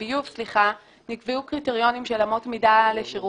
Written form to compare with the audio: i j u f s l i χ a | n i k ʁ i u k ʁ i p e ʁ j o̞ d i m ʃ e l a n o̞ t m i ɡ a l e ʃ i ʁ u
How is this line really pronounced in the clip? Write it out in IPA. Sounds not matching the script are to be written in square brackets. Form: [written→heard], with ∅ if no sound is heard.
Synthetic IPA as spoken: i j u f s l i χ a | n i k [ʁ→v] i u k ʁ i [p→t] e ʁ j o̞ [d→n] i m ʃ e l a [n→m] o̞ t m i [ɡ→d] a l e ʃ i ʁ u